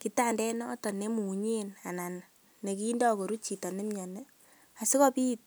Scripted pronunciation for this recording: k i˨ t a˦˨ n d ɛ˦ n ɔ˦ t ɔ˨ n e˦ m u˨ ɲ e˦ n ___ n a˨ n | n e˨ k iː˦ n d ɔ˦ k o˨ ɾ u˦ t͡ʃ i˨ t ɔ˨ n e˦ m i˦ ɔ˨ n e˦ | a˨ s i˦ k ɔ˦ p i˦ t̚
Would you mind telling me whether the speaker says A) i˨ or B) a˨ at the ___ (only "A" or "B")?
B